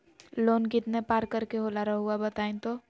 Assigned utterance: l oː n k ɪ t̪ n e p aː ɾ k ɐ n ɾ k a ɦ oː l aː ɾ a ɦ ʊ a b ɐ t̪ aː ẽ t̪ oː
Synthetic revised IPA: l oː n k ɪ t̪ n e p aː ɾ k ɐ ɾ k e ɦ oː l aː ɾ a ɦ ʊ a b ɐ t̪ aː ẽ t̪ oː